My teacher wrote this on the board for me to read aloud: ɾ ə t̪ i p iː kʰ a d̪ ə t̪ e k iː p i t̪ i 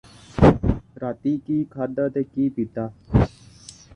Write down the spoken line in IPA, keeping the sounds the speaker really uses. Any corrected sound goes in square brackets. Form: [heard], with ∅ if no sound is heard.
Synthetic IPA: ɾ [a] t̪ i [k] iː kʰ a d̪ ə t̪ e k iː p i t̪ [a]